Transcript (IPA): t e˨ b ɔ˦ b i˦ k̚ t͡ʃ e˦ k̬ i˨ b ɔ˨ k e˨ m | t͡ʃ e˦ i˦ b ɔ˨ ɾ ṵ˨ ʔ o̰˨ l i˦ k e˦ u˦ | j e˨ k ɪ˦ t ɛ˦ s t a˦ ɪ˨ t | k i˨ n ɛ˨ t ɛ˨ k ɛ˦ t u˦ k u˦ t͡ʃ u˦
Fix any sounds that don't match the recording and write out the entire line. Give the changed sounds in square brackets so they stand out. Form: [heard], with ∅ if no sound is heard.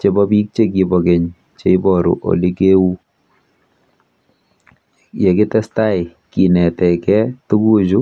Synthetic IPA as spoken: [t͡ʃ] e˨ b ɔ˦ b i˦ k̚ t͡ʃ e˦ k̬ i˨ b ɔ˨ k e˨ [ɲ] | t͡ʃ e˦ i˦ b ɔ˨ ɾ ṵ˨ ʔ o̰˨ l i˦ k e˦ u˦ | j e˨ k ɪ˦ t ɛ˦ s t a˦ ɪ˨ [∅] | k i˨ n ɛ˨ t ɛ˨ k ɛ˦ t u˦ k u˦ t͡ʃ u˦